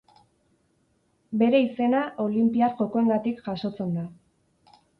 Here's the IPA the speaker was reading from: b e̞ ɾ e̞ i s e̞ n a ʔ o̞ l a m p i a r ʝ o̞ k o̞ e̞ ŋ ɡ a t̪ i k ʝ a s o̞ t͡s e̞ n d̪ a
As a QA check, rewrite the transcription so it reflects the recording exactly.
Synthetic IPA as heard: b e̞ ɾ e̞ i s e̞ n a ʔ o̞ l i m p i a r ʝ o̞ k o̞ e̞ ŋ ɡ a t̪ i k ʝ a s o̞ t͡s e̞ n d̪ a